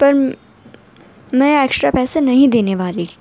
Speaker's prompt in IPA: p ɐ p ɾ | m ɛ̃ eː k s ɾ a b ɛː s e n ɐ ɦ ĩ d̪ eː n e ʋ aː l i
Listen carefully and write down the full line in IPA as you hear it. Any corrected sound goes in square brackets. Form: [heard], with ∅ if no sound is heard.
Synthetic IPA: p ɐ [∅] ɾ | m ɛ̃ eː k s ɾ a [p] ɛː s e n ɐ ɦ ĩ d̪ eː n e ʋ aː l i